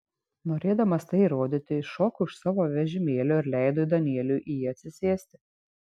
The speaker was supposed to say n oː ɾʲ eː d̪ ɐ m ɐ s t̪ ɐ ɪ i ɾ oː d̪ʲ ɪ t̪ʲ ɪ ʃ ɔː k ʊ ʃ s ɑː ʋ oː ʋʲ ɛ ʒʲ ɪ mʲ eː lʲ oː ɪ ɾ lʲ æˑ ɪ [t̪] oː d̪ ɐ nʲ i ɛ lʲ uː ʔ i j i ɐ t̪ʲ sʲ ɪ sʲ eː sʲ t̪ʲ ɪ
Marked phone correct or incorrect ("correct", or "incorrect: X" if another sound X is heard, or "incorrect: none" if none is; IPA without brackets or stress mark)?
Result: incorrect: d̪